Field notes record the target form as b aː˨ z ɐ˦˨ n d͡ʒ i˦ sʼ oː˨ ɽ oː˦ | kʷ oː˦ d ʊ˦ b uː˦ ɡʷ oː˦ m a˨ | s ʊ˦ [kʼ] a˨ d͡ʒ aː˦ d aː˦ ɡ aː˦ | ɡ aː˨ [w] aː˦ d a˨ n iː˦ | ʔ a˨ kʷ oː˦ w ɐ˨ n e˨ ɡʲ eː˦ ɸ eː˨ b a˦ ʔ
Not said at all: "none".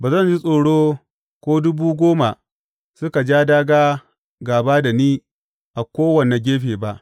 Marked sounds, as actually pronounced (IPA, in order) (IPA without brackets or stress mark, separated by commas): k, b